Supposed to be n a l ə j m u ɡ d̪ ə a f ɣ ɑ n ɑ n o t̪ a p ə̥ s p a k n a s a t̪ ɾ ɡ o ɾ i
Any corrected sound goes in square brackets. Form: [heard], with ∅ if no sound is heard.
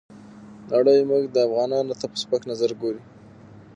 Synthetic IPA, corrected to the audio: n a [ɽ] ə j m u ɡ d̪ ə a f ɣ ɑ n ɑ n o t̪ a p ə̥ s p a k n a [z] a [∅] ɾ ɡ o ɾ i